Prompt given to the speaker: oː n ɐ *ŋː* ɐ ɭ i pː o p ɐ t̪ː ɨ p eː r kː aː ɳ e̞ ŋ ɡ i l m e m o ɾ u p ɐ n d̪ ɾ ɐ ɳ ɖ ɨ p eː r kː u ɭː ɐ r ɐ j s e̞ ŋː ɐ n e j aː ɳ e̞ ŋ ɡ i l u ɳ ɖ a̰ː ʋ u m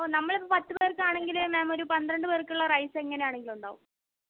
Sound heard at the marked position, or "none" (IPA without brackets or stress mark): mː